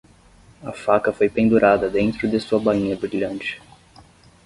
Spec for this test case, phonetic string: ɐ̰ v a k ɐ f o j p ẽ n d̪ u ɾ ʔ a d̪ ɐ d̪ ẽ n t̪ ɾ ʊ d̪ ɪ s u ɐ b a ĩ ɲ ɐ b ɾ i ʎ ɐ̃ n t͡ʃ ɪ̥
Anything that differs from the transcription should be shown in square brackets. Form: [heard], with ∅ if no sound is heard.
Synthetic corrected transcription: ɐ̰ [f] a k ɐ f o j p ẽ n d̪ u ɾ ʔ a d̪ ɐ d̪ ẽ n t̪ ɾ ʊ d̪ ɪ s u ɐ b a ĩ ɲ ɐ b ɾ i ʎ ɐ̃ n t͡ʃ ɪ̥